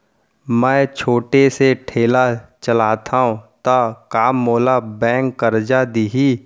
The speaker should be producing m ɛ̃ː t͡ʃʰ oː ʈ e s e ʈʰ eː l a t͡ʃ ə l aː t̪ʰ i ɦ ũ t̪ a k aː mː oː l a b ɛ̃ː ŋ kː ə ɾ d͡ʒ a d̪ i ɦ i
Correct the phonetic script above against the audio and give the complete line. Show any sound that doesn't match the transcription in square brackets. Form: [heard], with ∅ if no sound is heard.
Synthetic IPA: m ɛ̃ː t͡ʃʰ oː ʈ e s e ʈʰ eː l a t͡ʃ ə l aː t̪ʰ [a] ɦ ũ t̪ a k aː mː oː l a b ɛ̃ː ŋ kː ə ɾ d͡ʒ a d̪ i ɦ i

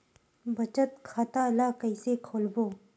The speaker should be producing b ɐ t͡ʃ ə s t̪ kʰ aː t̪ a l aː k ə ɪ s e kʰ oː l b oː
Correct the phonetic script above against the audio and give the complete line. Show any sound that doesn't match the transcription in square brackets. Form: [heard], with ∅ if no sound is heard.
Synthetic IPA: b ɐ t͡ʃ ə [∅] t̪ kʰ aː t̪ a l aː k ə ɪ s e kʰ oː l b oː

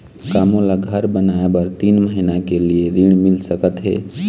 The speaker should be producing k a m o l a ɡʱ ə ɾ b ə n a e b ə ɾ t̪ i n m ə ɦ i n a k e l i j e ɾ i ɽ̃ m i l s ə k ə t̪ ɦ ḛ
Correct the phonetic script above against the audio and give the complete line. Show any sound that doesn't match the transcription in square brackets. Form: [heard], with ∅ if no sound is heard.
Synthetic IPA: k a m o l a ɡʱ ə ɾ b ə n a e b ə ɾ t̪ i n m ə ɦ i n a k e l i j e ɾ i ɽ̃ m i l s ə k ə t̪ ɦ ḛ

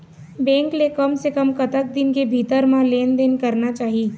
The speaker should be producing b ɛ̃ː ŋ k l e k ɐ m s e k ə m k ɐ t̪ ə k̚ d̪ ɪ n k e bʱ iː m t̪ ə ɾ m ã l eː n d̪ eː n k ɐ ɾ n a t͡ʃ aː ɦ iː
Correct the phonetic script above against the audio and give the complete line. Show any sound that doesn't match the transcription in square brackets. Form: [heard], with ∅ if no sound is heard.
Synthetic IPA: b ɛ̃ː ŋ k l e k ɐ m s e k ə m k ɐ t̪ ə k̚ d̪ ɪ n k e bʱ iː [∅] t̪ ə ɾ m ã l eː n d̪ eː n k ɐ ɾ n a t͡ʃ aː ɦ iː

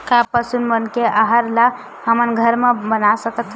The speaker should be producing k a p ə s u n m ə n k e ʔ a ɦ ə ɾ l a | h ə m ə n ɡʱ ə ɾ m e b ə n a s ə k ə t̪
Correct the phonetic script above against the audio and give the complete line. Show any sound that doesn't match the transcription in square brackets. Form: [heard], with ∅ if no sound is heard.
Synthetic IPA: k a p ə s u n m ə n k e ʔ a ɦ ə ɾ l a | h ə m ə n ɡʱ ə ɾ m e b ə n a s ə k ə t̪

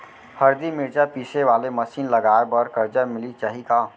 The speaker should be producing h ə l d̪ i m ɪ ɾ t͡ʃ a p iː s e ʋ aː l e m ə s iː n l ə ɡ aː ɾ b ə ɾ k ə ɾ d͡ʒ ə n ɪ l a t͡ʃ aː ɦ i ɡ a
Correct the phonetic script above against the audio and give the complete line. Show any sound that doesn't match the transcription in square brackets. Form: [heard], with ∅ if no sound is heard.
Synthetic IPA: h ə [ɾ] d̪ i m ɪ ɾ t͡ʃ a p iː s e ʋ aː l e m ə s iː n l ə ɡ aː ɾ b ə ɾ k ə ɾ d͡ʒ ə [m] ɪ l [i] t͡ʃ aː ɦ i [k] a

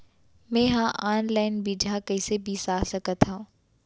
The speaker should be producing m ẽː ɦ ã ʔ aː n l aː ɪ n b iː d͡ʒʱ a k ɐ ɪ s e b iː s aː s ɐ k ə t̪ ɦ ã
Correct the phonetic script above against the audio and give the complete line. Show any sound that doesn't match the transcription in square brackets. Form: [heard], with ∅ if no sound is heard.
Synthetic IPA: m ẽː ɦ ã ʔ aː n l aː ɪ n b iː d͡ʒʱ a k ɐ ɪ s e b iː s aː s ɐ k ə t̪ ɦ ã

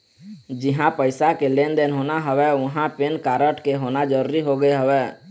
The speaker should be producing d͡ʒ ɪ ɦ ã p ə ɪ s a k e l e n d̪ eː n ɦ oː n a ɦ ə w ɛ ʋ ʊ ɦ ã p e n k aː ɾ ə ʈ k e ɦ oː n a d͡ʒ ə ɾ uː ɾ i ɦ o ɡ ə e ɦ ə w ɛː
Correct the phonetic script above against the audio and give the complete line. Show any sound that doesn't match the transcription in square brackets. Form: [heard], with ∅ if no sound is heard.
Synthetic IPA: d͡ʒ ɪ ɦ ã p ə ɪ s a k e l e n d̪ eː n ɦ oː n a ɦ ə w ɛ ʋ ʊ ɦ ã p e n k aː ɾ ə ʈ k e ɦ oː n a d͡ʒ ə ɾ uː ɾ i ɦ o ɡ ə e ɦ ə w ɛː

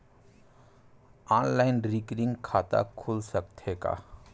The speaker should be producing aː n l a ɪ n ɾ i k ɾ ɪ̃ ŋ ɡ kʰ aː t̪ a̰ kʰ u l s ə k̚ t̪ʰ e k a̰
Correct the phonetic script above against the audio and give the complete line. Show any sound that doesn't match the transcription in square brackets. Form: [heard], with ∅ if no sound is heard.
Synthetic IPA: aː n l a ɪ n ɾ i k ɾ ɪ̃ ŋ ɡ kʰ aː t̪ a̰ kʰ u l s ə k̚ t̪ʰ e k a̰

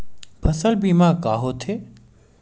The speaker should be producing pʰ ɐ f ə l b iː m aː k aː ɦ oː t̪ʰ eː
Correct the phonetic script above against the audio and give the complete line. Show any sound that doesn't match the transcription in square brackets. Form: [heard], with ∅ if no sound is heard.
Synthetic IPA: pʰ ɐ [s] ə l b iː m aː k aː ɦ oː t̪ʰ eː

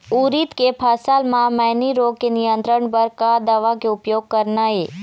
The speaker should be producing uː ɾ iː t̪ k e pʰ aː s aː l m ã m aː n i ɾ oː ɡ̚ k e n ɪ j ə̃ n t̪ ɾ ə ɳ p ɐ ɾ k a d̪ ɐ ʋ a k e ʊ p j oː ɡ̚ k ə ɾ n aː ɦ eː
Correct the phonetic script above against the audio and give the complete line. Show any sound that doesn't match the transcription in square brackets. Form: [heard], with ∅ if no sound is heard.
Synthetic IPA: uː ɾ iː t̪ k e pʰ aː s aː l m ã m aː n i ɾ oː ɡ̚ k e n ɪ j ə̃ n t̪ ɾ ə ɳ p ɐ ɾ k a d̪ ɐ ʋ a k e ʊ p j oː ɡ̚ k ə ɾ n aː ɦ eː

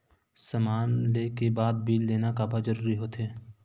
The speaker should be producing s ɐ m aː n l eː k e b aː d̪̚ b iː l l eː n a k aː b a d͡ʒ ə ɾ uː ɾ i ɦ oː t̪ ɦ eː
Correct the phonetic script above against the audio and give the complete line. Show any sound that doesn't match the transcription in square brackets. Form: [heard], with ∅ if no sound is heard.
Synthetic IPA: s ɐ m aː n l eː k e b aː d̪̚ b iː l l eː n a k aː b a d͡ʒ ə ɾ uː ɾ i ɦ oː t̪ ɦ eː

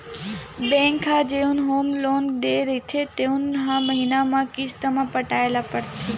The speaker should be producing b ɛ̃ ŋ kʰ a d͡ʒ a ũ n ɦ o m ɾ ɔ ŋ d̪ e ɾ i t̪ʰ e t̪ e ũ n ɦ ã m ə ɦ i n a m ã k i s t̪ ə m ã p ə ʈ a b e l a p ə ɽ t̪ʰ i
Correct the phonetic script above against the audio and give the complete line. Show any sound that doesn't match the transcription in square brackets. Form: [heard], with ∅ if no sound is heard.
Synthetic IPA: b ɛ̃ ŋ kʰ a d͡ʒ [e] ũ n ɦ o m [l] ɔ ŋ d̪ e ɾ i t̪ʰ e t̪ e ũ n ɦ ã m ə ɦ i n a m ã k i s t̪ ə m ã p ə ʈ a [∅] e l a p ə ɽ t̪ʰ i

